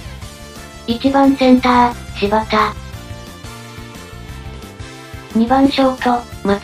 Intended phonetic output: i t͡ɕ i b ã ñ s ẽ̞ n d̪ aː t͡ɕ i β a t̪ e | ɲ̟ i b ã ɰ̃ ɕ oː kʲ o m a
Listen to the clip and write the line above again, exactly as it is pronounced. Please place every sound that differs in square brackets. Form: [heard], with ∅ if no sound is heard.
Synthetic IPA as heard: i t͡ɕ i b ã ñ s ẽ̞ n [t̪] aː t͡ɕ i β a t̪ [a] | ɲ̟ i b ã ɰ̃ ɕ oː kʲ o m a

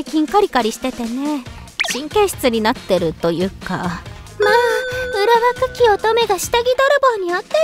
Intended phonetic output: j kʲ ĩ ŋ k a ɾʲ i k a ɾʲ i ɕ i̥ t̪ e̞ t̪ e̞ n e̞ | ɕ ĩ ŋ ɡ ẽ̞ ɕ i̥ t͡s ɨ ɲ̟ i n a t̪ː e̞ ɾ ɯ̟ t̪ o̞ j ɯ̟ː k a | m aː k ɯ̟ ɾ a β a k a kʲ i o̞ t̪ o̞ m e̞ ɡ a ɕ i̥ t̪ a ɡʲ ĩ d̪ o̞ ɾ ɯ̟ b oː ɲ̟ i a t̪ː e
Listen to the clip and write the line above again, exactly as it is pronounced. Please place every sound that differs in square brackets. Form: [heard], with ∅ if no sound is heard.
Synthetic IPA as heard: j kʲ ĩ ŋ k a ɾʲ i k a ɾʲ i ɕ i̥ t̪ e̞ t̪ e̞ n e̞ | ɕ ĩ ŋ [k] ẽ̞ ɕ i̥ t͡s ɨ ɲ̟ i n a t̪ː e̞ ɾ ɯ̟ t̪ o̞ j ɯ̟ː k a | m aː [∅] ɯ̟ ɾ a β a k a kʲ i o̞ t̪ o̞ m e̞ ɡ a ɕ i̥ t̪ a ɡʲ [i] d̪ o̞ ɾ ɯ̟ b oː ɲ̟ i a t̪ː e

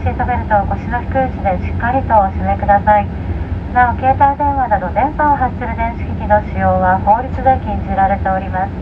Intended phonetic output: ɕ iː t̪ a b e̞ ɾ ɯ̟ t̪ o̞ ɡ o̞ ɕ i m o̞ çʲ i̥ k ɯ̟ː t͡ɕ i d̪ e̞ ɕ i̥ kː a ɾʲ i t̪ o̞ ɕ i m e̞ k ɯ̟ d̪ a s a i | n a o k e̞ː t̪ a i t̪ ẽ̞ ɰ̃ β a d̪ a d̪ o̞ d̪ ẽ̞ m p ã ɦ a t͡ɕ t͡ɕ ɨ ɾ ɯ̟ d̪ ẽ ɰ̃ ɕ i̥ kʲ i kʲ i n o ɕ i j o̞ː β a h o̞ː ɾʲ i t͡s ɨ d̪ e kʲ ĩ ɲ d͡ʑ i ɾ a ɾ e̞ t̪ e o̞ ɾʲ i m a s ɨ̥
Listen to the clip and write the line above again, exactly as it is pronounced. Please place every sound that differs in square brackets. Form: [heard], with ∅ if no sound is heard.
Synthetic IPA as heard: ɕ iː t̪ a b e̞ ɾ ɯ̟ t̪ o̞ ɡ o̞ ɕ i [n] o̞ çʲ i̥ k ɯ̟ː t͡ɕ i d̪ e̞ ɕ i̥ kː a ɾʲ i t̪ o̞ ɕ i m e̞ k ɯ̟ d̪ a s a i | n a o k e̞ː t̪ a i [d̪] ẽ̞ ɰ̃ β a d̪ a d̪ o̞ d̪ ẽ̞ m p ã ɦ a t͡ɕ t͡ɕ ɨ ɾ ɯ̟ d̪ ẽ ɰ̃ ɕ i̥ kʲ i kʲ i n o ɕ i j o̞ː β a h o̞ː ɾʲ i t͡s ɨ d̪ e kʲ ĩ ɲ d͡ʑ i ɾ a ɾ e̞ t̪ e o̞ ɾʲ i m a s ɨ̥

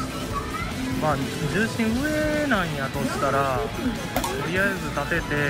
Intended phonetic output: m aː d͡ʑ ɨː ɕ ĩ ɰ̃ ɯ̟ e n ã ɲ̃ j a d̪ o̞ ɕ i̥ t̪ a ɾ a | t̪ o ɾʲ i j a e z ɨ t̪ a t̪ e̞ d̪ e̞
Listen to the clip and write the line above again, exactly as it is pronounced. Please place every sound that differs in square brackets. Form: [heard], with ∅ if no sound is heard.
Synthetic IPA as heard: m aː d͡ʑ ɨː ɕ ĩ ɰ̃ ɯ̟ e n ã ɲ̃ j a [t̪] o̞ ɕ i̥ t̪ a ɾ a | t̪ o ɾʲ i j a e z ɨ t̪ a t̪ e̞ [t̪] e̞

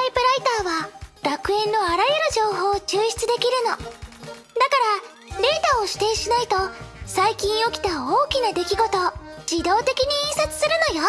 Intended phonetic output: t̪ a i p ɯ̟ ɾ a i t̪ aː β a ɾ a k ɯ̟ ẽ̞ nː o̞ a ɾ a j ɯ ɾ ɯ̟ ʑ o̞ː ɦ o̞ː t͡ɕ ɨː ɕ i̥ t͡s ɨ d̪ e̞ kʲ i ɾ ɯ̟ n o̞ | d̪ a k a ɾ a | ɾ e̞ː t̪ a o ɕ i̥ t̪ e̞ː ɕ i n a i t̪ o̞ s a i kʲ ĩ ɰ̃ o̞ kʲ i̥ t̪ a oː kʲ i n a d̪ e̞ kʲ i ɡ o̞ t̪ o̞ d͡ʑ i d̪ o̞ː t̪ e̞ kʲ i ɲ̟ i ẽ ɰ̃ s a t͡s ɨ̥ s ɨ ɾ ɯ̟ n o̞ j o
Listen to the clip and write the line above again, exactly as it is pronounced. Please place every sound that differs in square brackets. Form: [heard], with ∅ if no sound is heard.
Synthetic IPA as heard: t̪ a i p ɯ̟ ɾ a i t̪ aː β a ɾ a k ɯ̟ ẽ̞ nː o̞ a ɾ a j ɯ ɾ ɯ̟ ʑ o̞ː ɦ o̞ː t͡ɕ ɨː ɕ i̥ t͡s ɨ d̪ e̞ kʲ i ɾ ɯ̟ n o̞ | d̪ a k a ɾ a | ɾ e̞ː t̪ a o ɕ i̥ t̪ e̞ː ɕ i n a i t̪ o̞ s a i kʲ ĩ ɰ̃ o̞ kʲ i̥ t̪ a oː kʲ i n a d̪ e̞ kʲ i ɡ o̞ t̪ o̞ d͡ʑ i d̪ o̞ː t̪ e̞ kʲ i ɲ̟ i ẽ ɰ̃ s a t͡s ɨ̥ s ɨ ɾ ɯ̟ n o̞ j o

